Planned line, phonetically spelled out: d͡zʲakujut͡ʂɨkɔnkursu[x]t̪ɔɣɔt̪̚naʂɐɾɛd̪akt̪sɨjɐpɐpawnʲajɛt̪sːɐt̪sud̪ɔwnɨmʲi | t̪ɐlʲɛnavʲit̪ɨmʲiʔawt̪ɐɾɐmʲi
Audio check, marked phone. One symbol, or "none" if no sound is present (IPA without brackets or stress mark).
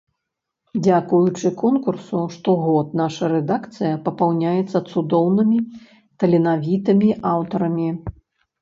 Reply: ʂ